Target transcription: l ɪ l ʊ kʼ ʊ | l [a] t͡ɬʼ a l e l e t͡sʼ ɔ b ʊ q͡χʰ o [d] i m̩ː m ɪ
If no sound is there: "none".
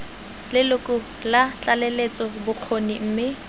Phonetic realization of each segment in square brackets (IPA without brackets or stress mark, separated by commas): a, n